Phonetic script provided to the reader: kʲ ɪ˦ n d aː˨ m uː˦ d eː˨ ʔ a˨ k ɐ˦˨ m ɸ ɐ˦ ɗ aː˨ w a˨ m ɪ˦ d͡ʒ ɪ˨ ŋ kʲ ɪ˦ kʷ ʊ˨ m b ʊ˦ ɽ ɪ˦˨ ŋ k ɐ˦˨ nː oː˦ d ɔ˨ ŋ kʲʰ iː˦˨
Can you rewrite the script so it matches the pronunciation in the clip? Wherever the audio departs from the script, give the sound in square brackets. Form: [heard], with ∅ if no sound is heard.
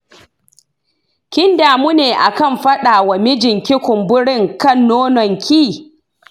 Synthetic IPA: kʲ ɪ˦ n d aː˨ m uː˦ [n] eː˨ ʔ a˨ k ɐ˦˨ m ɸ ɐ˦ ɗ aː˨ w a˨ m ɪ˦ d͡ʒ ɪ˨ ŋ kʲ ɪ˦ kʷ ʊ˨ m b ʊ˦ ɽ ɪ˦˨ ŋ k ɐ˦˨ nː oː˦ [n] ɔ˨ ŋ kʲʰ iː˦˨